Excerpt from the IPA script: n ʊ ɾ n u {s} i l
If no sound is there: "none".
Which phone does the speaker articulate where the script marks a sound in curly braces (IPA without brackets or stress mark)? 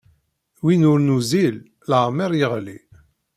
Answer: z